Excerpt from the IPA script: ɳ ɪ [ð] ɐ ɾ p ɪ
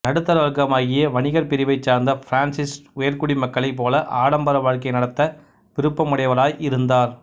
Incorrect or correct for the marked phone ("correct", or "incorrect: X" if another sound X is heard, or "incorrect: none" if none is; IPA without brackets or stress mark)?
incorrect: ɣ